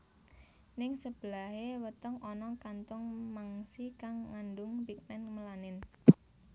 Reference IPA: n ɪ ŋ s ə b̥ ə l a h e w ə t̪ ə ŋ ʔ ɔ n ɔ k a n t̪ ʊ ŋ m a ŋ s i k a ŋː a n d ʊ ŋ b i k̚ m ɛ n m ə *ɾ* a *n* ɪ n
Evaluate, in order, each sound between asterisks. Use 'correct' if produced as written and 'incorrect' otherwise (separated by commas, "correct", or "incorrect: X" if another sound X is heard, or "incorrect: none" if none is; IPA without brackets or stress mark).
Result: incorrect: l, correct